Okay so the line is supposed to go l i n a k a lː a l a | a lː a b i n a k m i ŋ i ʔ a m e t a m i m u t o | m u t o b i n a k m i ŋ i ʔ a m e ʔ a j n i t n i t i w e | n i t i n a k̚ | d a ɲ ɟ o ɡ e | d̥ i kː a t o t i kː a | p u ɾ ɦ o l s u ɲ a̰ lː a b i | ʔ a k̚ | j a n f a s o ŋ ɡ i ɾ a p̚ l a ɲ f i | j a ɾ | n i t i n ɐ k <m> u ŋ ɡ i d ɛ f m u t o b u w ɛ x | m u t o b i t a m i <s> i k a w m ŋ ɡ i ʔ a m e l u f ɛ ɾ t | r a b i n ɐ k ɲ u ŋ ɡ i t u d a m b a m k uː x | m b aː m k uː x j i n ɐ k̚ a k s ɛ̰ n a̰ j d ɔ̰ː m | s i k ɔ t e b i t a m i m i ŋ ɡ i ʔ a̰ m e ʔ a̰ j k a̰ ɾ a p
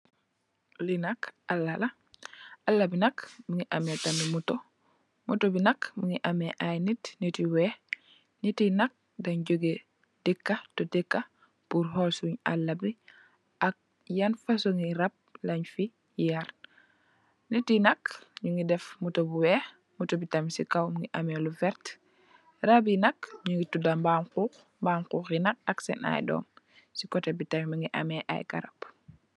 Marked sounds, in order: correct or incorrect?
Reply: incorrect, correct

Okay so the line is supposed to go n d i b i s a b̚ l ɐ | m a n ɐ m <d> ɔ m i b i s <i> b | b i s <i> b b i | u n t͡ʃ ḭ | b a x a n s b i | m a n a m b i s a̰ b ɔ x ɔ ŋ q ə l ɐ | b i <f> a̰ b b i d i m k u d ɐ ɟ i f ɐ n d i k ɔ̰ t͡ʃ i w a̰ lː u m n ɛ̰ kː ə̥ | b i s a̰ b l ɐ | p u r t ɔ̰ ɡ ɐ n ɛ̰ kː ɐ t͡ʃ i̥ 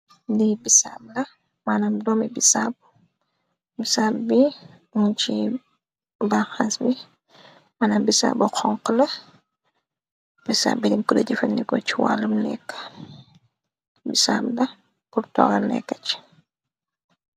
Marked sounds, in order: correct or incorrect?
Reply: correct, incorrect, incorrect, incorrect

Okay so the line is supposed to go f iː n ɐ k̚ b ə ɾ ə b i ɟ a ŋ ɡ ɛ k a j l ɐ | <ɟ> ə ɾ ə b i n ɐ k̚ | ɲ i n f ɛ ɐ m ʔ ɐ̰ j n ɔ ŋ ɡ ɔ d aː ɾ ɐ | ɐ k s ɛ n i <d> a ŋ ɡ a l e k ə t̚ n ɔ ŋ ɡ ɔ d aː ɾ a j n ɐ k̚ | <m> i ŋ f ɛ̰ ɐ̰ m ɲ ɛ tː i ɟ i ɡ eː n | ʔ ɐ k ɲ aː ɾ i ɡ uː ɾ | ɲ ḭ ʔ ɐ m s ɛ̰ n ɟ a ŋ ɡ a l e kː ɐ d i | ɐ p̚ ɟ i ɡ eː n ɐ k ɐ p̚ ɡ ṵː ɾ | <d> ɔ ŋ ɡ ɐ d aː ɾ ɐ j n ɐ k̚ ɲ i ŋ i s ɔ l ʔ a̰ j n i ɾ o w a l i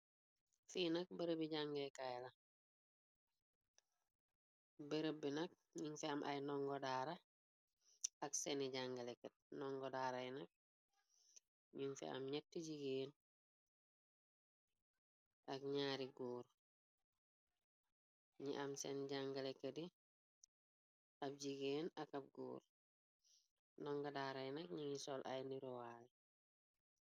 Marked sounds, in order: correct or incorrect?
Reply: incorrect, incorrect, incorrect, incorrect

